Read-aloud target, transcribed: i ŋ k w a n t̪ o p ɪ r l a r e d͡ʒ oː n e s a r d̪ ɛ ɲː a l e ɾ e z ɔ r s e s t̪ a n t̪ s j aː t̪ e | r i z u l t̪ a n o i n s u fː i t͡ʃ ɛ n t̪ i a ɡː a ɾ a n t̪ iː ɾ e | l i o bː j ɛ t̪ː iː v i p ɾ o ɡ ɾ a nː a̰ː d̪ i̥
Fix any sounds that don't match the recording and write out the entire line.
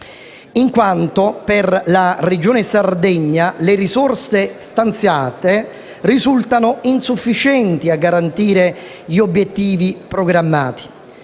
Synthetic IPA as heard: i ŋ k w a n t̪ o p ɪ r l a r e d͡ʒ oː n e s a r d̪ ɛ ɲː a l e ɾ i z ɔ r s e s t̪ a n t̪ s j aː t̪ e | r i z u l t̪ a n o i n s u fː i t͡ʃ ɛ n t̪ i a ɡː a ɾ a n t̪ iː ɾ e | ʎ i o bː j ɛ t̪ː iː v i p ɾ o ɡ ɾ a mː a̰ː t̪ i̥